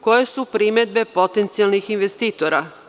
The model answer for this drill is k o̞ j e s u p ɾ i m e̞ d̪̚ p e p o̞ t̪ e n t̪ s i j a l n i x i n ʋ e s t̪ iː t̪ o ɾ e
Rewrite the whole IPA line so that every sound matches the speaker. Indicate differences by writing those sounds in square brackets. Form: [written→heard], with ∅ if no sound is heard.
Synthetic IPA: k o̞ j e s u p ɾ i m e̞ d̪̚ [p→b] e p o̞ t̪ e n t̪ s i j a l n i x i n ʋ e s t̪ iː t̪ o ɾ [e→a]